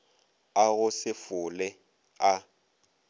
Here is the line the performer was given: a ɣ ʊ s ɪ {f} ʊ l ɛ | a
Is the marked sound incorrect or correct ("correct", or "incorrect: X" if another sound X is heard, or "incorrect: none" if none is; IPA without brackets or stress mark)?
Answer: correct